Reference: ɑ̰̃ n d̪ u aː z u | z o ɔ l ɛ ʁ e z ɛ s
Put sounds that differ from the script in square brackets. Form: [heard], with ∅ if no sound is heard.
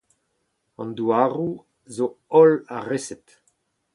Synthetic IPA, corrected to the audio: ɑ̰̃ n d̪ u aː [ʁ] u | z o ɔ l [a] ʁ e [s] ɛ [t]